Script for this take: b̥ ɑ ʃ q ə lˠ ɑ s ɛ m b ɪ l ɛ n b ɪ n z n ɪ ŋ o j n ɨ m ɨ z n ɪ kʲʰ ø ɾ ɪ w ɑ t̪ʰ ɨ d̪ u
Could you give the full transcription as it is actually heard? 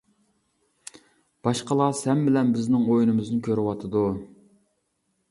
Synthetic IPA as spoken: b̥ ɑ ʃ q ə lˠ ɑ s ɛ m b ɪ l ɛ n b ɪ z n ɪ ŋ o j n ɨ m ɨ z n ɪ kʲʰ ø ɾ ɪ w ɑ t̪ʰ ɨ d̪ u